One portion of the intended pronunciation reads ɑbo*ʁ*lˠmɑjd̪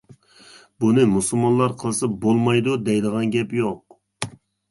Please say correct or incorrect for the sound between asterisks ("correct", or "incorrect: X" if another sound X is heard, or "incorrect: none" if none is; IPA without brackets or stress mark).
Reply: incorrect: none